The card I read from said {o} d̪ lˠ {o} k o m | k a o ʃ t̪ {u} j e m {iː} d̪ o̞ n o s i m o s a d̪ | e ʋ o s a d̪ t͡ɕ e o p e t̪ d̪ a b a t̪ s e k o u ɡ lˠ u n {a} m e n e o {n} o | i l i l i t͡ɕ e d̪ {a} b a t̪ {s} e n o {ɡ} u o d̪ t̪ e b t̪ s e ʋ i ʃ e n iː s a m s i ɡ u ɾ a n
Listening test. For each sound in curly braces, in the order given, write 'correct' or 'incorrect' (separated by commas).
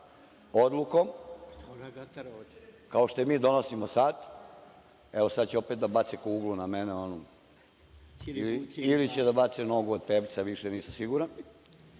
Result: correct, incorrect, incorrect, correct, correct, correct, correct, correct, correct